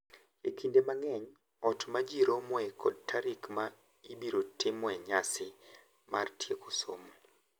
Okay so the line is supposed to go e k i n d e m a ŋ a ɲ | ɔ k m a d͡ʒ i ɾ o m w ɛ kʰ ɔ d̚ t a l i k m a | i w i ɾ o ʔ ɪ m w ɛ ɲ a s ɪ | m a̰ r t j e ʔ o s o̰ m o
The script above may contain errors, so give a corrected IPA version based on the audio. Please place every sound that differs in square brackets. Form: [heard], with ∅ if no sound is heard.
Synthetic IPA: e k i n d e m a ŋ [ɛ] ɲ | ɔ [t] m a d͡ʒ i ɾ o m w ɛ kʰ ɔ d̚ t a [ɾ] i k m a | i [b] i ɾ o [t] ɪ m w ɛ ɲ a s ɪ | m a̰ r t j e [k] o s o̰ m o